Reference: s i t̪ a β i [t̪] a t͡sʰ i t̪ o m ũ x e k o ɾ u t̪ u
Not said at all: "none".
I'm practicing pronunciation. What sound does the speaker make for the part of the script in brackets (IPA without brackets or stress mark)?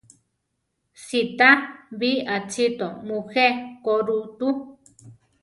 none